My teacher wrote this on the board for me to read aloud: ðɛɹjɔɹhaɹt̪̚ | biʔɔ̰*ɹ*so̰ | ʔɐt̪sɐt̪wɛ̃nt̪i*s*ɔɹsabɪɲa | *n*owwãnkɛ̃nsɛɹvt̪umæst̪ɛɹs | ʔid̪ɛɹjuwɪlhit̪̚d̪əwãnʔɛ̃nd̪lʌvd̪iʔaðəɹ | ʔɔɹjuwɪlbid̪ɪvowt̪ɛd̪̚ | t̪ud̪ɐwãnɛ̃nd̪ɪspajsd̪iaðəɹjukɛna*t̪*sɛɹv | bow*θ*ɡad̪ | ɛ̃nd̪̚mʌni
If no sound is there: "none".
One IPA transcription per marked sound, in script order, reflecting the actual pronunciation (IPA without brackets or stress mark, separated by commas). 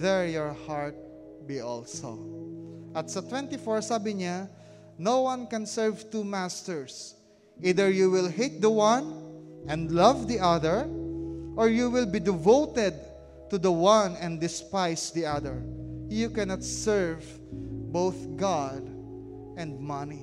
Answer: l, f, n, t̪, θ